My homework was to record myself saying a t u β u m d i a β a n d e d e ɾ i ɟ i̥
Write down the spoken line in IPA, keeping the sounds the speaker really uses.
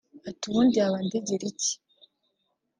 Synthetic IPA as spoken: a t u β u n d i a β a n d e ɟ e ɾ i c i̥